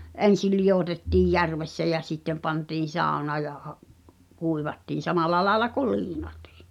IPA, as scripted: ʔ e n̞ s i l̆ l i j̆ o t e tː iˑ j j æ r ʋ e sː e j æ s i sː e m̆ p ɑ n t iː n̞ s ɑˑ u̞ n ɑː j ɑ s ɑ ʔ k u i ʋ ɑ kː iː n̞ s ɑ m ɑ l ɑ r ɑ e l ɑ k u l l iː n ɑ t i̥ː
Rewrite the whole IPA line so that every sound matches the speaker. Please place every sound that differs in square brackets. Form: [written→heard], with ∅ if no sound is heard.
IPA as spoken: ʔ e n̞ s i l̆ l i j̆ o t e tː iˑ j j æ r ʋ e sː [e→æ] j æ s i [sː→tː] e m̆ p ɑ n t iː n̞ s ɑˑ u̞ n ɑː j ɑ [s→h] ɑ ʔ k u i ʋ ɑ [kː→tː] iː n̞ s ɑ m ɑ l ɑ [r→l] ɑ e l ɑ k u l l iː n ɑ t i̥ː